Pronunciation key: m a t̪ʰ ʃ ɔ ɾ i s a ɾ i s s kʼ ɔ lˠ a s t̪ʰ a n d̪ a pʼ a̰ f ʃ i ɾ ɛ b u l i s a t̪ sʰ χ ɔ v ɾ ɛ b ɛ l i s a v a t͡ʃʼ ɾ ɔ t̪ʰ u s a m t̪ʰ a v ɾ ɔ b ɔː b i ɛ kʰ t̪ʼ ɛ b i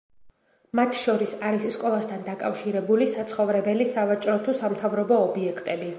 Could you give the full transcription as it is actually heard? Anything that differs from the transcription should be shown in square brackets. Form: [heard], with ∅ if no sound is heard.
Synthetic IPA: m a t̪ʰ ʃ ɔ ɾ i s a ɾ i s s kʼ ɔ lˠ a s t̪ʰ a n d̪ a [kʼ] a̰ f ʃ i ɾ ɛ b u l i s a t̪ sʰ χ ɔ v ɾ ɛ b ɛ l i s a v a t͡ʃʼ ɾ ɔ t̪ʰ u s a m t̪ʰ a v ɾ ɔ b ɔː b i ɛ kʰ t̪ʼ ɛ b i